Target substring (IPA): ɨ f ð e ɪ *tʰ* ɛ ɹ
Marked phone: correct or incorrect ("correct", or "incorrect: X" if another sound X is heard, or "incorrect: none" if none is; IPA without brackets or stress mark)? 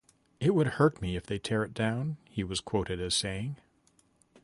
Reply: correct